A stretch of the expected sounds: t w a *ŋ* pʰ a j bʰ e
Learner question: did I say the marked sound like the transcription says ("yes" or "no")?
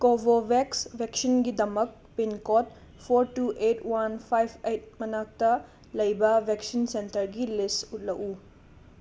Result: no